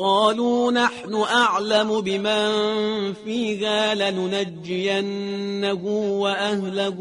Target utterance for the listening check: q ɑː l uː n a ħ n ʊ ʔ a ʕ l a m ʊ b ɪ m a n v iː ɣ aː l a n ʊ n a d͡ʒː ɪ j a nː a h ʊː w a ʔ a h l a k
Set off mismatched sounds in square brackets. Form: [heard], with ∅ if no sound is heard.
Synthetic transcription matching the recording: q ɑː l uː n a ħ n ʊ ʔ a ʕ l a m ʊ b ɪ m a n [f] iː ɣ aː l a n ʊ n a d͡ʒː ɪ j a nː a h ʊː w a ʔ a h l a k